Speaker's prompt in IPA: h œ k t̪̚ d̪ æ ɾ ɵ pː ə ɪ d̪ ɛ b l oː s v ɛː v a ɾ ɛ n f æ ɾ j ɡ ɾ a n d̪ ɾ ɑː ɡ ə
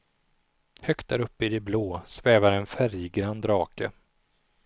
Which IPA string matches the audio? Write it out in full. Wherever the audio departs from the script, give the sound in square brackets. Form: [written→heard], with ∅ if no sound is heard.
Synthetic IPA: h œ k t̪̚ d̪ æ ɾ ɵ pː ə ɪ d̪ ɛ b l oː s v ɛː v a ɾ ɛ n f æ ɾ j ɡ ɾ a n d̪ ɾ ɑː [ɡ→k] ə